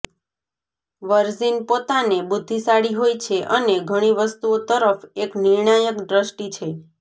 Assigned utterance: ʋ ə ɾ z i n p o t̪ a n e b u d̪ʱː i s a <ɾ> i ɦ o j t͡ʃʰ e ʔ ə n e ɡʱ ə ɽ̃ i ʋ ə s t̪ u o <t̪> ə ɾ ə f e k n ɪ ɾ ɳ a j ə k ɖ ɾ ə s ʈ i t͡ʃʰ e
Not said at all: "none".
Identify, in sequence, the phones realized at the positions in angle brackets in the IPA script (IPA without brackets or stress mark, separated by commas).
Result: ɽ, t̪